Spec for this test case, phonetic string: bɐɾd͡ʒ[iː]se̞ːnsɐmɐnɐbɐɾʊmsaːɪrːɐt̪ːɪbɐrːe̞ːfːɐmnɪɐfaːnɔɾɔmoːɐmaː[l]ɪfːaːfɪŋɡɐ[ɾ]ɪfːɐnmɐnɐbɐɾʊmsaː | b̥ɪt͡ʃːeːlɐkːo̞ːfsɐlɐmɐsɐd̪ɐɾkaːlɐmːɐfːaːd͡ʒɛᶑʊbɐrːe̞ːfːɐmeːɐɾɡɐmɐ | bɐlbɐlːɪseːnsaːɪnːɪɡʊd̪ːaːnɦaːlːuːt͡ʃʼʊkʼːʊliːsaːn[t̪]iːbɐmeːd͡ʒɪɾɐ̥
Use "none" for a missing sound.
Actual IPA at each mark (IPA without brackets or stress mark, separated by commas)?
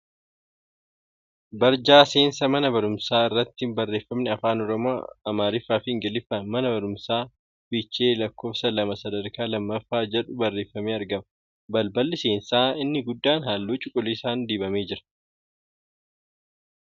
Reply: aː, ɾ, l, d̪